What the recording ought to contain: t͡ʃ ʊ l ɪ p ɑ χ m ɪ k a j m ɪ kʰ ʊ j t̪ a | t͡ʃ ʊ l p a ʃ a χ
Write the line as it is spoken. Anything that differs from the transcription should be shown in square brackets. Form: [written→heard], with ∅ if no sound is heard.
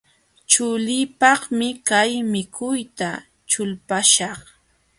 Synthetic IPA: t͡ʃ ʊ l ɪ p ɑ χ m ɪ k a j m ɪ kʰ ʊ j t̪ a | t͡ʃ ʊ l p a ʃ [a→ɑ] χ